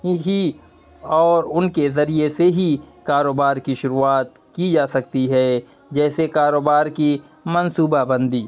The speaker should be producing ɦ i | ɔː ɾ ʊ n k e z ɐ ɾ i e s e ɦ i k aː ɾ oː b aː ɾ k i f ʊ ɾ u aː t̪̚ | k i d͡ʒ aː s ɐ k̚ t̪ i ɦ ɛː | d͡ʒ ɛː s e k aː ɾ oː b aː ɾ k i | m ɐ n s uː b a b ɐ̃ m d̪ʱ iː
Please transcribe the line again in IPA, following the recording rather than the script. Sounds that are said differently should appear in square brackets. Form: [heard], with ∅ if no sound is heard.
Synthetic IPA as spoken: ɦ i | ɔː ɾ ʊ n k e z ɐ ɾ i e s e ɦ i k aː ɾ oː b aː ɾ k i [ʃ] ʊ ɾ u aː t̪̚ | k i d͡ʒ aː s ɐ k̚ t̪ i ɦ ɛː | d͡ʒ ɛː s e k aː ɾ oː b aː ɾ k i | m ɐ n s uː b a b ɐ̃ [n] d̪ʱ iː